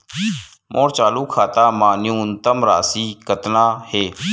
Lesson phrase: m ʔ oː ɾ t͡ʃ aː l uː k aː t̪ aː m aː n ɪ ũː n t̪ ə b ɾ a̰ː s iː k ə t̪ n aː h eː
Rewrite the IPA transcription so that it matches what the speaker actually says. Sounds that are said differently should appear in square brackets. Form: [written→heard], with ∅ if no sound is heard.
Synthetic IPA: m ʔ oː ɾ t͡ʃ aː l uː [k→kʰ] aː t̪ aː m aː n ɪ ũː n t̪ ə [b→m] ɾ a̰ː s iː k ə t̪ n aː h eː